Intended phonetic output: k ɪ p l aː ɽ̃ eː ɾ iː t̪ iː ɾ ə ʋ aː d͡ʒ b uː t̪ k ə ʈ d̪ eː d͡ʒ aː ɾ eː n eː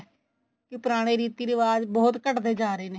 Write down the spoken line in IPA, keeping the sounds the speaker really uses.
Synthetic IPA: k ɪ p ɾ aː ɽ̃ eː ɾ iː t̪ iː ɾ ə ʋ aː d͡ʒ b ɔː t̪ k ə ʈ d̪ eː d͡ʒ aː ɾ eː n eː